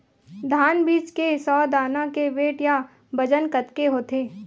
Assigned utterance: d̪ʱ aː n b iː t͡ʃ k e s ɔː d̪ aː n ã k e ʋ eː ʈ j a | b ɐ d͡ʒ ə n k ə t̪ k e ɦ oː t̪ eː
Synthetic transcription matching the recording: d̪ʱ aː n b iː t͡ʃ k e s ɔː d̪ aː n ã k e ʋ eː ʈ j a | b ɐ d͡ʒ ə n k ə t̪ k e ɦ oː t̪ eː